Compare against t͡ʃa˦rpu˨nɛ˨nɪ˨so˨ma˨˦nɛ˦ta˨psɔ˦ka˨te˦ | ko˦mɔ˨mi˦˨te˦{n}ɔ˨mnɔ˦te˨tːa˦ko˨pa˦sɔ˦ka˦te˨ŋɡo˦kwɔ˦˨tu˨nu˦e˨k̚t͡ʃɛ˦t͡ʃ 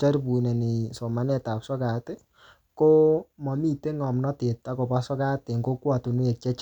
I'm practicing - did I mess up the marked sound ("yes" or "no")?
yes